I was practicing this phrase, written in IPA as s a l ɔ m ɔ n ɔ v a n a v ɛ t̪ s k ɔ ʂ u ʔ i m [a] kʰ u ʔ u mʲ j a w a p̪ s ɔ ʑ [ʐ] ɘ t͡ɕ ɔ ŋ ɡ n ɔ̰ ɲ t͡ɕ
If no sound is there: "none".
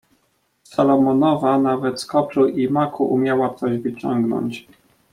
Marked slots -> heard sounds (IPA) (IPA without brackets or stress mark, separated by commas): a, v